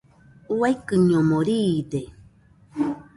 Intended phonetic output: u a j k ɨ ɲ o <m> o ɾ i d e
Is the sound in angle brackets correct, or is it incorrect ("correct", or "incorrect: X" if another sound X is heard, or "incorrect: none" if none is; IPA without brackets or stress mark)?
correct